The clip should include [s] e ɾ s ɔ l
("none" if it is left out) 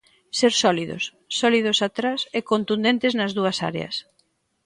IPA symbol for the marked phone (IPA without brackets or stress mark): s